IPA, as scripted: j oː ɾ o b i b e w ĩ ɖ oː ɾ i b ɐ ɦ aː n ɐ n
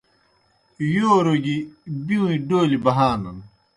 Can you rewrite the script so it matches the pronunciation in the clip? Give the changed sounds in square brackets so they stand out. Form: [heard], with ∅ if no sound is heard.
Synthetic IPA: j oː ɾ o [ɡ] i b [i] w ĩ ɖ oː [l] i b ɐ ɦ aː n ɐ n

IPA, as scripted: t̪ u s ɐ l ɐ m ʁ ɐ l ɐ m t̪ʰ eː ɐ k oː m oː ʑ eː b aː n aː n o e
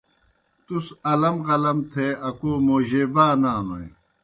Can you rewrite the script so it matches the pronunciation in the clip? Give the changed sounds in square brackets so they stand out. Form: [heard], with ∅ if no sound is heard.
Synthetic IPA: t̪ u s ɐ l ɐ m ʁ ɐ l ɐ m t̪ʰ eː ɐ k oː m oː ʑ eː b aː n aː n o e

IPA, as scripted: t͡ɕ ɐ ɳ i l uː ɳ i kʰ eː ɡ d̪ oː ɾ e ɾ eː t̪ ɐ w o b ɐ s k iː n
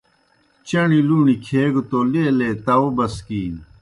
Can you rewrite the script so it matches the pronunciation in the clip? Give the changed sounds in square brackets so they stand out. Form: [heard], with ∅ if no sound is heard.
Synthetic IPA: t͡ɕ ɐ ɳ i l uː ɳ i kʰ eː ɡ [t̪] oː [l] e [l] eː t̪ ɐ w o b ɐ s k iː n

